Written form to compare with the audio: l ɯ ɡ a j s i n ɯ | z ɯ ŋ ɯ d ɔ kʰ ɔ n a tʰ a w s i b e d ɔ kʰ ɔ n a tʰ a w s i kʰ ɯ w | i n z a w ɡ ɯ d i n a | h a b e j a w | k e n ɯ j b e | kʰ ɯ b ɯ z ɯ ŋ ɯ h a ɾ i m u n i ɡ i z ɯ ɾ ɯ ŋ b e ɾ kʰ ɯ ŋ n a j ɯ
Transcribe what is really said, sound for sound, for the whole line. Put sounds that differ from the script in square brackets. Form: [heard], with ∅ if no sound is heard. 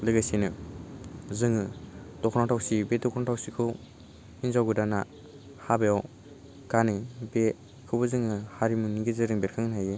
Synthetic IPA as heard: l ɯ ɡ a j s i n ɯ | z ɯ ŋ ɯ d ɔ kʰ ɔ n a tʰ a w s i b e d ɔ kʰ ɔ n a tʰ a w s i kʰ ɯ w | i n z a w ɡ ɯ d [a] n a | h a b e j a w | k [a] n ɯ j b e | kʰ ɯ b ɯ z ɯ ŋ ɯ h a ɾ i m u n i ɡ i z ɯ ɾ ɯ ŋ b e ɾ kʰ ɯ ŋ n a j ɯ